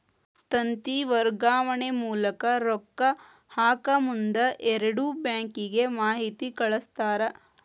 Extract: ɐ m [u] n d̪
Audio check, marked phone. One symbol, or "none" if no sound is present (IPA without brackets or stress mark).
u